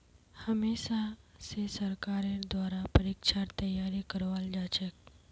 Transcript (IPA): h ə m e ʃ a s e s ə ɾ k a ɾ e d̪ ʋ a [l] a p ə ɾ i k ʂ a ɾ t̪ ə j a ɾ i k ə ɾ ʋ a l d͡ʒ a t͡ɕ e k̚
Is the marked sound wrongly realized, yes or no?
yes